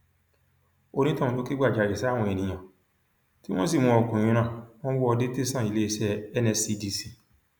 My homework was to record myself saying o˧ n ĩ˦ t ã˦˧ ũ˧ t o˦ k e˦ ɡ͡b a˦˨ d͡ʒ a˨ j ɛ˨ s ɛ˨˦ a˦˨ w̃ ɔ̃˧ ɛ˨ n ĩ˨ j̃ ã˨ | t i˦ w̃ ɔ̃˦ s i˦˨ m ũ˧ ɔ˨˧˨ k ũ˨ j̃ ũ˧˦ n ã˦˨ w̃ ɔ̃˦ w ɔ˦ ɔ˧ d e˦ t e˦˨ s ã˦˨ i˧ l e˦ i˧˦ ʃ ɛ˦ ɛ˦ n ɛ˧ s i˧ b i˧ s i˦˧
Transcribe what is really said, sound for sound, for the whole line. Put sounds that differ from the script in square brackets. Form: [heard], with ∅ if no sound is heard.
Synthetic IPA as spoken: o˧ n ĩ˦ t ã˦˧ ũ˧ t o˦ k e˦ ɡ͡b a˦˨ d͡ʒ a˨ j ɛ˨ s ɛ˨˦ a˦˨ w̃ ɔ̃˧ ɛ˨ n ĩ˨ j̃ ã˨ | t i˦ w̃ ɔ̃˦ s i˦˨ m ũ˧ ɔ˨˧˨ k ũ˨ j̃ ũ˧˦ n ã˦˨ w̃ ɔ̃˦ w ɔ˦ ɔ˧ d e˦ t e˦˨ s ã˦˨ i˧ l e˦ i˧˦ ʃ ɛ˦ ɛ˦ n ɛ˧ s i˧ [d] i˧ s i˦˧